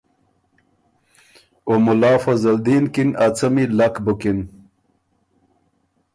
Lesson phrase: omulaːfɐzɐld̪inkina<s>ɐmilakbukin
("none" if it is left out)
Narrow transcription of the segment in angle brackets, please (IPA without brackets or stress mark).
t͡s